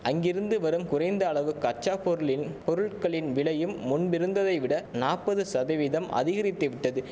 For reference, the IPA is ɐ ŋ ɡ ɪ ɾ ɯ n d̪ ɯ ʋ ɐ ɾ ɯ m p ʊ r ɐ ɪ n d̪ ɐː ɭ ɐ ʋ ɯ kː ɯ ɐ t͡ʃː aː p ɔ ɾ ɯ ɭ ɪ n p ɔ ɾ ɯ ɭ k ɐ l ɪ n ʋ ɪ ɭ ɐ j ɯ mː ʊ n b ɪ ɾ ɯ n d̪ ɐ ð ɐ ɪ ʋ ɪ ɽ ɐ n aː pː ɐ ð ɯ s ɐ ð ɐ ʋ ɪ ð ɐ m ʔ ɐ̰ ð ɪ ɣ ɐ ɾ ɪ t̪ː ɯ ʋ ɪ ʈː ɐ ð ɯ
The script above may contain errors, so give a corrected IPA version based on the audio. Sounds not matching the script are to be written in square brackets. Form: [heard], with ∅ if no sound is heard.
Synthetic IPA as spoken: ɐ ŋ ɡ ɪ ɾ ɯ n d̪ ɯ ʋ ɐ ɾ ɯ m [k] ʊ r ɐ ɪ n d̪ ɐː ɭ ɐ ʋ ɯ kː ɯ ɐ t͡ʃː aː p ɔ ɾ ɯ ɭ ɪ n p ɔ ɾ ɯ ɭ k ɐ [ɭ] ɪ n ʋ ɪ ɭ ɐ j ɯ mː ʊ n b ɪ ɾ ɯ n d̪ ɐ ð ɐ ɪ ʋ ɪ ɽ ɐ n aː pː ɐ ð ɯ s ɐ ð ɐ ʋ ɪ ð ɐ m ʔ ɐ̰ ð ɪ ɣ ɐ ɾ ɪ t̪ː ɯ ʋ ɪ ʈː ɐ ð ɯ